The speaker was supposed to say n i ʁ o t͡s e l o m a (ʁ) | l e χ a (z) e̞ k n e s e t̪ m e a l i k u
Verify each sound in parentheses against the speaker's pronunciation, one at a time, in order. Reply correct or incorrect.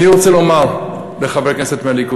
correct, incorrect: v

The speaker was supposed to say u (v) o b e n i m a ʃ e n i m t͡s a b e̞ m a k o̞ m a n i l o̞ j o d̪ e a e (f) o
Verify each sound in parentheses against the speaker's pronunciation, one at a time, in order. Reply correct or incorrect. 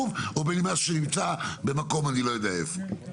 correct, correct

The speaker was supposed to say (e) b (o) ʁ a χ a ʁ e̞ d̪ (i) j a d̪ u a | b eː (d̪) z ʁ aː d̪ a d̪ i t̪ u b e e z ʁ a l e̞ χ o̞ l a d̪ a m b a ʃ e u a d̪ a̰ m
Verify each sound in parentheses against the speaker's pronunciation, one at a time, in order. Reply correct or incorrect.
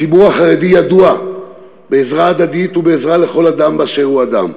incorrect: i, incorrect: u, correct, incorrect: none

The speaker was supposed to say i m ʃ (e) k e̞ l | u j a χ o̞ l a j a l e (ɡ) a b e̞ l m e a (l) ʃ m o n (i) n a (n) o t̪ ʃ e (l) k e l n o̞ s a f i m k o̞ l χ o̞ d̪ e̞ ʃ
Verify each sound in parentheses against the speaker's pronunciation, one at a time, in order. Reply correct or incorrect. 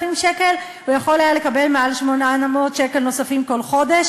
correct, incorrect: k, correct, incorrect: a, incorrect: m, incorrect: none

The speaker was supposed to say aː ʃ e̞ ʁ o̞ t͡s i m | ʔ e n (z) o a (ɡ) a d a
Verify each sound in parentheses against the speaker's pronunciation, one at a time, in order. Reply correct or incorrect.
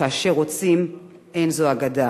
correct, correct

